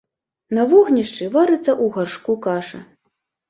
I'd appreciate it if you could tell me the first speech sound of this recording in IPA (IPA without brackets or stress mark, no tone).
n